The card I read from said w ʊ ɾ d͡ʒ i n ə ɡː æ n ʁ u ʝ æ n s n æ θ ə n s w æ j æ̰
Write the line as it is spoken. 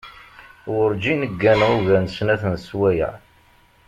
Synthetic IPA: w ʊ ɾ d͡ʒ i n ə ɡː æ n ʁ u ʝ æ n s n æ θ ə n s w æ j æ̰